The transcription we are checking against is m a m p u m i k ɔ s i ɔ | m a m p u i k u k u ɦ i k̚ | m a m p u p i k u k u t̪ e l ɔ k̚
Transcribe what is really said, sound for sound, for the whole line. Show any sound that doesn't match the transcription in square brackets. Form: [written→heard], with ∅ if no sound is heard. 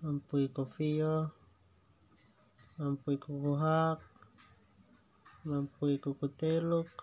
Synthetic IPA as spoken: m a m p u [m→∅] i k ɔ [s→f] i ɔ | m a m p u i k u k u ɦ [i→a] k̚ | m a m p u [p→∅] i k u k u t̪ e l [ɔ→u] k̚